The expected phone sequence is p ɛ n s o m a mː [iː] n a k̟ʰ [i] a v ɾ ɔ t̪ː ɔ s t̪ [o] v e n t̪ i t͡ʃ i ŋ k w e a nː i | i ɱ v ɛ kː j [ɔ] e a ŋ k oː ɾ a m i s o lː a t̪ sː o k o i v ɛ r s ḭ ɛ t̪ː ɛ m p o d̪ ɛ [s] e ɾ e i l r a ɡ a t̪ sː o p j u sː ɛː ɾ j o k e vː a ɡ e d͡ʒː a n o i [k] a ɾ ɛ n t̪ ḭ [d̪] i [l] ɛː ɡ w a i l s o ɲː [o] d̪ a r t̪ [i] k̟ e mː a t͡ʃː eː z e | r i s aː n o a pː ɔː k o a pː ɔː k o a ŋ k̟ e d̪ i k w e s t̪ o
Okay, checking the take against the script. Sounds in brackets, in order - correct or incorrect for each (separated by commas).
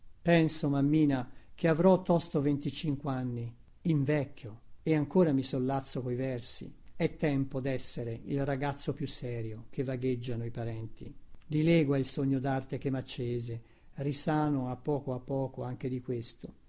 correct, incorrect, correct, incorrect, incorrect, incorrect, correct, correct, correct, incorrect